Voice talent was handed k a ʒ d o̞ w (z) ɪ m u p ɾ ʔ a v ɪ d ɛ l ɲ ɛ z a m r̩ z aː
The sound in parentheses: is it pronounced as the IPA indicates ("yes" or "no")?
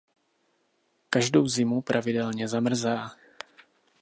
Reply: yes